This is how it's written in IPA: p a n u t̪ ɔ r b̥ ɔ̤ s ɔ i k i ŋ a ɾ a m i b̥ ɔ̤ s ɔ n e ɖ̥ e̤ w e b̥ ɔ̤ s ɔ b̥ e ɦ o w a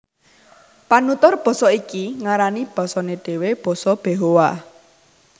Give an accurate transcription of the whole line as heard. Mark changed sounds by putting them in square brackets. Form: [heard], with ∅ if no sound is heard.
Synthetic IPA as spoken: p a n u t̪ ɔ r b̥ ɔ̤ s ɔ i k i ŋ a ɾ a [n] i b̥ ɔ̤ s ɔ n e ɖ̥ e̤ w e b̥ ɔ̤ s ɔ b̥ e ɦ o w a